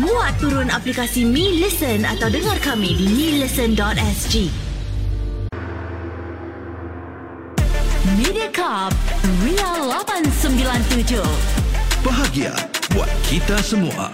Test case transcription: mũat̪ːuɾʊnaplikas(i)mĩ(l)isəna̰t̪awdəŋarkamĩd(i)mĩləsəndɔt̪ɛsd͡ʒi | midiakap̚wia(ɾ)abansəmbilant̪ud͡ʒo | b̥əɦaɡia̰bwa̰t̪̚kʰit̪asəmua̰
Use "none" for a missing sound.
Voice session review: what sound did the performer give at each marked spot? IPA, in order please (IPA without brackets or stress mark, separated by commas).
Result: i, l, i, l